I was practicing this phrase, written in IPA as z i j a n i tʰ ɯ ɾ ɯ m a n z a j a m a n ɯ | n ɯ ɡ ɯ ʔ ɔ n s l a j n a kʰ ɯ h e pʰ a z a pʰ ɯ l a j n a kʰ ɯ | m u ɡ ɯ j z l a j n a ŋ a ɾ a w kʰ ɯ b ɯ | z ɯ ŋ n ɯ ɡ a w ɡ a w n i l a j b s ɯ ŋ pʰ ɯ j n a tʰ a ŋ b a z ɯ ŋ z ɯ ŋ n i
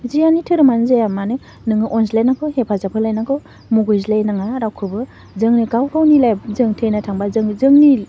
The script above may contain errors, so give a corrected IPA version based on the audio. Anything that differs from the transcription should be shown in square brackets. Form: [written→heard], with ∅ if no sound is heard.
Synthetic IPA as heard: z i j a n i tʰ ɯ ɾ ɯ m a n z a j a m a n ɯ | n ɯ [ɡ→ŋ] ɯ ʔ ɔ n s l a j n a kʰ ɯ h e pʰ a z a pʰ ɯ l a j n a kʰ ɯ | m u ɡ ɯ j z l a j n a ŋ a ɾ a w kʰ ɯ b ɯ | z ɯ ŋ n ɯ ɡ a w ɡ a w n i l a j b [s→z] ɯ ŋ [pʰ→tʰ] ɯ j n a tʰ a ŋ b a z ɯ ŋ z ɯ ŋ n i